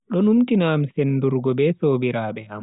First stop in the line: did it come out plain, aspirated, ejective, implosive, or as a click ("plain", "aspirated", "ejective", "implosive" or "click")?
implosive